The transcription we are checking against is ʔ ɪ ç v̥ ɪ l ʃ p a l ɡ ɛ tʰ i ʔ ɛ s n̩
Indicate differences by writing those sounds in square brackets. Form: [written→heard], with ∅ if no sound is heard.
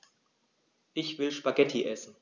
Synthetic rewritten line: ʔ ɪ ç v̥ ɪ l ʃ p a [l→∅] ɡ ɛ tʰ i ʔ ɛ s n̩